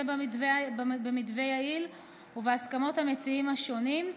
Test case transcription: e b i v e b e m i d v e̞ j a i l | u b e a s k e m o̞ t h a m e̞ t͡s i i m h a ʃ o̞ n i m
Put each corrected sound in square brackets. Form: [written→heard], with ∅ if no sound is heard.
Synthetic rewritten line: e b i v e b e m i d v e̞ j a i l | u [b→v] e a s k [e→a] m o̞ t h a m e̞ t͡s i i m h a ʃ o̞ n i m